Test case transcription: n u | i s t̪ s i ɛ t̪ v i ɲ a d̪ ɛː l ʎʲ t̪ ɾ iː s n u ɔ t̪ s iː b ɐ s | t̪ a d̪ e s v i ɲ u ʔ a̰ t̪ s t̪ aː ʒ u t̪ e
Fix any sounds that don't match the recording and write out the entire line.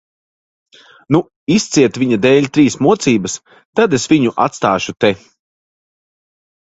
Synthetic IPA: n u | i s t̪ s i ɛ t̪ v i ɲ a d̪ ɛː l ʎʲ t̪ ɾ iː s m u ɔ t̪ s iː b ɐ s | t̪ a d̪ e s v i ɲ u ʔ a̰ t̪ s t̪ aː ʃ u t̪ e